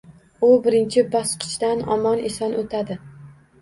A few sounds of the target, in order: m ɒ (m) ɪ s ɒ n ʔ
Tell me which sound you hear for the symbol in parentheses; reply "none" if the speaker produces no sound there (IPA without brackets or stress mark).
n